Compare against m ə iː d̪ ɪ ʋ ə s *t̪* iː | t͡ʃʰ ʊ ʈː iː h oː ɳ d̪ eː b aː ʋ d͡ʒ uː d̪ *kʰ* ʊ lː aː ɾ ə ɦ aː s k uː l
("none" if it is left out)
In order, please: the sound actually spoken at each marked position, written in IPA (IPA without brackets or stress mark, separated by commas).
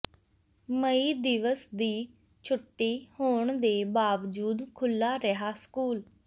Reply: d̪, kʰ